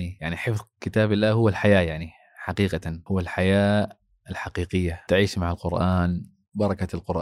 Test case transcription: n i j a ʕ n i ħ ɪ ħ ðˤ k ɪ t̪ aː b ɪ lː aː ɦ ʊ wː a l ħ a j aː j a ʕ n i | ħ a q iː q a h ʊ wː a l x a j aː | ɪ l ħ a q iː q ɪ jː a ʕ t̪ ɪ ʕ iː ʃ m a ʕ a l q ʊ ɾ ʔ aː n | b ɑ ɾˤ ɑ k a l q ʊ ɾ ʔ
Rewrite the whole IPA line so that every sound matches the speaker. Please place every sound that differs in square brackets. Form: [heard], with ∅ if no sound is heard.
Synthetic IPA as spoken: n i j a ʕ n i ħ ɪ [f] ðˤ k ɪ t̪ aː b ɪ lː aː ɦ ʊ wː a l ħ a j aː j a ʕ n i | ħ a q iː q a h ʊ wː a l [ħ] a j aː | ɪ l ħ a q iː q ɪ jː a [∅] t̪ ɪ ʕ iː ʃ m a ʕ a l q ʊ ɾ ʔ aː n | b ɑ ɾˤ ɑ k a l q ʊ ɾ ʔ